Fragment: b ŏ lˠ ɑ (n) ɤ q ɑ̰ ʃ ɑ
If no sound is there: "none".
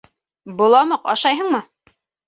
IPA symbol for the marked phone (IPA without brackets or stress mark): m